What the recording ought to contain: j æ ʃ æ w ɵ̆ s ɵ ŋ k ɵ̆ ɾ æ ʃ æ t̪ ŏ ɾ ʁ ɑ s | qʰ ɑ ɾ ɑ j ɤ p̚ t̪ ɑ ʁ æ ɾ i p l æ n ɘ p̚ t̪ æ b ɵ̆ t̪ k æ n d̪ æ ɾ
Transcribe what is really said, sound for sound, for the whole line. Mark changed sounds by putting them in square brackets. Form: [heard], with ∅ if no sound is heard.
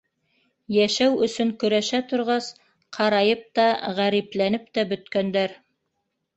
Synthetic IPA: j æ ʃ æ w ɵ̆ s ɵ ŋ k ɵ̆ ɾ æ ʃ æ t̪ ŏ ɾ ʁ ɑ s | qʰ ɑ ɾ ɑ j ɤ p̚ t̪ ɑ ʁ æ ɾ i p l æ n ɘ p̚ t̪ æ b ɵ̆ t̪ k æ n d̪ æ ɾ